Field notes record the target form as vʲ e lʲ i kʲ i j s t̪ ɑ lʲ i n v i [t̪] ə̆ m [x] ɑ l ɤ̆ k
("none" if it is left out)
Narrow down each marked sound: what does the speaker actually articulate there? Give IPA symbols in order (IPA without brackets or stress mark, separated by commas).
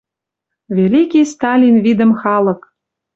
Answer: d̪, x